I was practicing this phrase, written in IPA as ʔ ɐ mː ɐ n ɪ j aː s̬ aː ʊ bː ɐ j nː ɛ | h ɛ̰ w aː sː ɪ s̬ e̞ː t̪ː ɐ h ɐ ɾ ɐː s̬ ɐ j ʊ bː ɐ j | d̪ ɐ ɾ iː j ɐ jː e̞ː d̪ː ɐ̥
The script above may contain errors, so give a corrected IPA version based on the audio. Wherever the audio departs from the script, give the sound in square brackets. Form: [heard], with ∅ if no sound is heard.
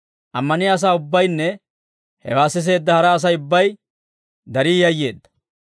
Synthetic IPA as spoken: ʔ ɐ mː ɐ n ɪ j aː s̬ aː ʊ bː ɐ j nː ɛ | h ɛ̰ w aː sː ɪ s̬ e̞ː [d̪ː] ɐ h ɐ ɾ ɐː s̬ ɐ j ʊ bː ɐ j | d̪ ɐ ɾ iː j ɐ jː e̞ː d̪ː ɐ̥